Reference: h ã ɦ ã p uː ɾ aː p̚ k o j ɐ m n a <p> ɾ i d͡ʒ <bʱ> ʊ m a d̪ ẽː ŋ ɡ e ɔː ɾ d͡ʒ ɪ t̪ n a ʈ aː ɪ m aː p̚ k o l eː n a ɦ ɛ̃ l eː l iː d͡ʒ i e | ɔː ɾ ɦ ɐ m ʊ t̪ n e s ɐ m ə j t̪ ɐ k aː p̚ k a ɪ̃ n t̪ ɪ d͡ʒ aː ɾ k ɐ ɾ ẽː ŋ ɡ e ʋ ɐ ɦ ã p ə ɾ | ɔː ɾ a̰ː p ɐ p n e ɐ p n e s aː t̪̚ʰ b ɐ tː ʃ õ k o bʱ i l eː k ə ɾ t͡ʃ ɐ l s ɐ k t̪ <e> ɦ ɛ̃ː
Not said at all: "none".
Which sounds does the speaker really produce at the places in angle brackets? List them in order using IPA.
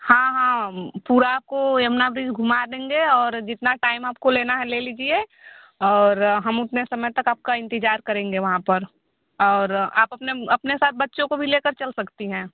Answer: b, ɡʱ, i

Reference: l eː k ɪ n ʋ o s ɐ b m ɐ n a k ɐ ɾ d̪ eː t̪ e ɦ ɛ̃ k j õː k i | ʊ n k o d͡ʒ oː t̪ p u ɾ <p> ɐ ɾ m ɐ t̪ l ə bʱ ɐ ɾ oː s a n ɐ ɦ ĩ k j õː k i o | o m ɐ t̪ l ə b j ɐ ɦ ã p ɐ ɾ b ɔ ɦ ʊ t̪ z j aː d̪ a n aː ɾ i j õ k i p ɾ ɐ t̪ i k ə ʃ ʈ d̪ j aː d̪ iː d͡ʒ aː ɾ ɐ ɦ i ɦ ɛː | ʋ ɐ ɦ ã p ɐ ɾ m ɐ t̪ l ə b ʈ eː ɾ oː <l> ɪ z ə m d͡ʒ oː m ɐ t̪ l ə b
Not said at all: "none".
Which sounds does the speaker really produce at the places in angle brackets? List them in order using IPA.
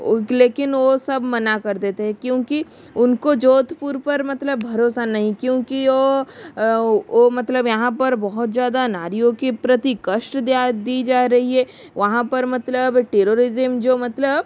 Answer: p, ɾ

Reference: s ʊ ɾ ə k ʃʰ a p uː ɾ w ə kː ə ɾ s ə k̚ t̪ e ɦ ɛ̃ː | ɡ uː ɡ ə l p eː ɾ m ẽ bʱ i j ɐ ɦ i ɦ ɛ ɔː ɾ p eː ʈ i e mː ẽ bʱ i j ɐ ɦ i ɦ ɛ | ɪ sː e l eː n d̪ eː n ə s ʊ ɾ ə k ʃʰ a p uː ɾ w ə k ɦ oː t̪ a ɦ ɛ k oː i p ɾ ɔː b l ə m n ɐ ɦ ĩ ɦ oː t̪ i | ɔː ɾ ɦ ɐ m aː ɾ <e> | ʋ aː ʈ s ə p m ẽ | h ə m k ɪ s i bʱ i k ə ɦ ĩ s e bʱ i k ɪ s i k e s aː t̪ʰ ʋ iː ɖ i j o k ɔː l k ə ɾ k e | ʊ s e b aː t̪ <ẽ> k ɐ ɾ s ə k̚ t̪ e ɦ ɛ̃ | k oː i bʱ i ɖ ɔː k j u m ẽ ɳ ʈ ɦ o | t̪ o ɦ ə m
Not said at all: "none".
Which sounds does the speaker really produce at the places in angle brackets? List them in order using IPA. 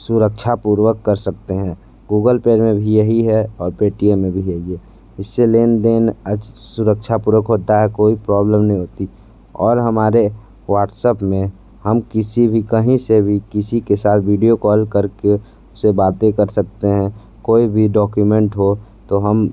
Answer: e, e

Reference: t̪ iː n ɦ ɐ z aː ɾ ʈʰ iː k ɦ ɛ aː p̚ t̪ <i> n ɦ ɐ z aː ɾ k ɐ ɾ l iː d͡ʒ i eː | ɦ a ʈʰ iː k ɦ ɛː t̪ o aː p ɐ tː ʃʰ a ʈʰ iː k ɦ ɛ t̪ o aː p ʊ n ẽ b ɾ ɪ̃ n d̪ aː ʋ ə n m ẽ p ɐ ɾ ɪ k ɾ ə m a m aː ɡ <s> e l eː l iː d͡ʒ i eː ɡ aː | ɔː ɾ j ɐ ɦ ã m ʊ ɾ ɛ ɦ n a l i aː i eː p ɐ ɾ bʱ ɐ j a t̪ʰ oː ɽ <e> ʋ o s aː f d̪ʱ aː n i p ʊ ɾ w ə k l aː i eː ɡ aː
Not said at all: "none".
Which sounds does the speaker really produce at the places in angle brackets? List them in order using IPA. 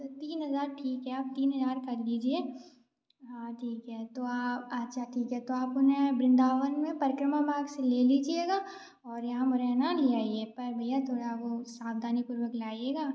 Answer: iː, s, a

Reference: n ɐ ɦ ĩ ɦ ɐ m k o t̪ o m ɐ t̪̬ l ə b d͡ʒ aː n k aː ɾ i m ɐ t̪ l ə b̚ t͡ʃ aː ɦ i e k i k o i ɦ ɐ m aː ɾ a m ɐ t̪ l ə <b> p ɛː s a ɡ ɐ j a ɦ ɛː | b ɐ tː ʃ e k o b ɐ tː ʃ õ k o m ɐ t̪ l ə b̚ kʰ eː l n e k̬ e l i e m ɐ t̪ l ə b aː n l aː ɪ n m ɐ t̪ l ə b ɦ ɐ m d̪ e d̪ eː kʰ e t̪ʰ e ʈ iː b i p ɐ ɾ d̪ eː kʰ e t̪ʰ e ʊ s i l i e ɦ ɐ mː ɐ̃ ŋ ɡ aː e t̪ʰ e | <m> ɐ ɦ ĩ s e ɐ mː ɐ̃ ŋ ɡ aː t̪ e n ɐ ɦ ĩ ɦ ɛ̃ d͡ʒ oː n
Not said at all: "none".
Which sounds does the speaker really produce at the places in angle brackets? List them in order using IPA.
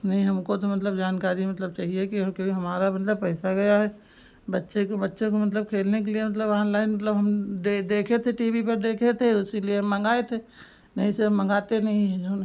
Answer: b, n

